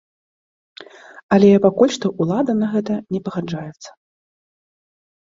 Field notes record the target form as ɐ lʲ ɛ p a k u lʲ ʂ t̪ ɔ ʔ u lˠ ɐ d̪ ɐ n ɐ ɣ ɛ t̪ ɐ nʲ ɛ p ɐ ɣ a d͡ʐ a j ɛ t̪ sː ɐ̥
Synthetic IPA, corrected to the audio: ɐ lʲ ɛ p a k u lʲ ʂ t̪ ɔ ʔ u lˠ a d̪ ɐ n ɐ ɣ ɛ t̪ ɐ nʲ ɛ p ɐ ɣ a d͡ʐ a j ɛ t̪ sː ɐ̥